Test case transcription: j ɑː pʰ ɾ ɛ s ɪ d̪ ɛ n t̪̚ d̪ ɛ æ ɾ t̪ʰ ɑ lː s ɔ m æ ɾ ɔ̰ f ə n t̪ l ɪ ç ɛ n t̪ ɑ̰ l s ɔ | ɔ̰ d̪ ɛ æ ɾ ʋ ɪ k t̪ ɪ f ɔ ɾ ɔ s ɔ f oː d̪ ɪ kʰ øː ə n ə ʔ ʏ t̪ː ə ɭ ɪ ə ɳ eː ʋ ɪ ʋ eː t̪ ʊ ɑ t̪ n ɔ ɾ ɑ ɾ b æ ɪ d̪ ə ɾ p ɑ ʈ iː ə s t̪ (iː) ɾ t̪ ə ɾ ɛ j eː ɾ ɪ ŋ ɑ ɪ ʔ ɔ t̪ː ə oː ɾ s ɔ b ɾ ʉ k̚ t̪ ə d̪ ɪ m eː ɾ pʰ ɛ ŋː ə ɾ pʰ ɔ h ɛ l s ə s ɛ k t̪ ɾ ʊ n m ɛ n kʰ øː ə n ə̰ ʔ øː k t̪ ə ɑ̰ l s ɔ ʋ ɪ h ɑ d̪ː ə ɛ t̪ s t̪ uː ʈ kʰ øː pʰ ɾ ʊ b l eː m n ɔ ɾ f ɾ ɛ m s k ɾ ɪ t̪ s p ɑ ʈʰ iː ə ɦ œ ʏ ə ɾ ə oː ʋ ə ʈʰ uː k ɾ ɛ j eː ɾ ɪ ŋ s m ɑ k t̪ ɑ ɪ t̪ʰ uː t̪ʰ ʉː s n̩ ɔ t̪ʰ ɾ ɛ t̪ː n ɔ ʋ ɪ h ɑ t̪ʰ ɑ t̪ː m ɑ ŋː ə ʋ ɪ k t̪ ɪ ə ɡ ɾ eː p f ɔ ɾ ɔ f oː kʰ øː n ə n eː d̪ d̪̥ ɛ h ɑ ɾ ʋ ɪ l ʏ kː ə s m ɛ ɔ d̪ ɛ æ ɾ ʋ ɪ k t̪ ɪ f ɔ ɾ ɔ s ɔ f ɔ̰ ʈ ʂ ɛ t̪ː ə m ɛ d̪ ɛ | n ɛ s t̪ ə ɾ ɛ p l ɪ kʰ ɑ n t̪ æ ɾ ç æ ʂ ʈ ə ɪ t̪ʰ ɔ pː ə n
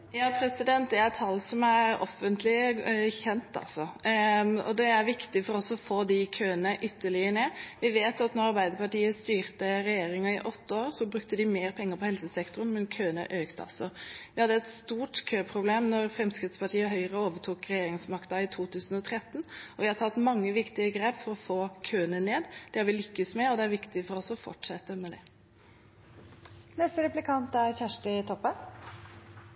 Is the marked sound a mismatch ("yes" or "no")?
yes